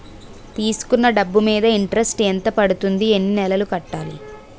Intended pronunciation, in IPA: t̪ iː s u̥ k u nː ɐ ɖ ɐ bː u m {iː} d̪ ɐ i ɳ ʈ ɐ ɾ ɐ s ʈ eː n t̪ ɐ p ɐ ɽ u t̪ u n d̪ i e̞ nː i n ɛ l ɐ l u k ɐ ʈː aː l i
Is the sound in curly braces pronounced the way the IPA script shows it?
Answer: yes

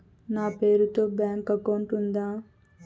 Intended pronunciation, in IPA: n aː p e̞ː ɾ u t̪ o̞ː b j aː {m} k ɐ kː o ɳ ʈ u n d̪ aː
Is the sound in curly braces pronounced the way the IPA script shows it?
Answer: no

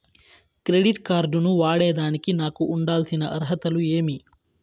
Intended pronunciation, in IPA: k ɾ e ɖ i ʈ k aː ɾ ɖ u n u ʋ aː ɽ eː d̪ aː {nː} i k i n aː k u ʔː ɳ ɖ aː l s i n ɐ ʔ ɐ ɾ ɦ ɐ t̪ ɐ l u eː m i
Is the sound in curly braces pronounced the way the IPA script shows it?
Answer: no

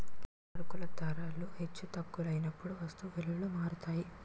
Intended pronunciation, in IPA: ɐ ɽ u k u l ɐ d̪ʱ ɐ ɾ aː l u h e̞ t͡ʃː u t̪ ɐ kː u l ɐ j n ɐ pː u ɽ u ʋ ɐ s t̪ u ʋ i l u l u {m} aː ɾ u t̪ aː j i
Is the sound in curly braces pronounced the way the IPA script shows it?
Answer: yes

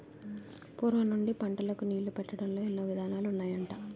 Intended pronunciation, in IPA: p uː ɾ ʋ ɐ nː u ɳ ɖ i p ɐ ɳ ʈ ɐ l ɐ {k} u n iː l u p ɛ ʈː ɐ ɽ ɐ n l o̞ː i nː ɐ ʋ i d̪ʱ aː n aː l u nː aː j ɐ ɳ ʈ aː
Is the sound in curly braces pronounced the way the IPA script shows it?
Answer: yes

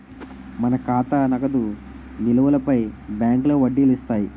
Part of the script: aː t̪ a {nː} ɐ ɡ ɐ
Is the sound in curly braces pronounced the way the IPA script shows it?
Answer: no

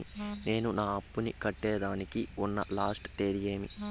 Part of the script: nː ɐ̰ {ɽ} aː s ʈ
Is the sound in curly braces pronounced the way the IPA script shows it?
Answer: no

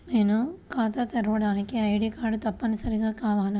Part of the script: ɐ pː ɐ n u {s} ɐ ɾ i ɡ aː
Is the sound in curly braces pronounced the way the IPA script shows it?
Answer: yes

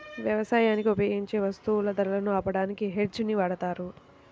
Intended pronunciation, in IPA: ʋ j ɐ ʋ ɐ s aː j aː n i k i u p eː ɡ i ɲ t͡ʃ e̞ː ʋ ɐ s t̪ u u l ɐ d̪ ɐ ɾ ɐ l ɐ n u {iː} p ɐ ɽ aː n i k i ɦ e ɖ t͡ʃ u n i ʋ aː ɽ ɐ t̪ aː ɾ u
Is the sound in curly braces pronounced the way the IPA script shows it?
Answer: no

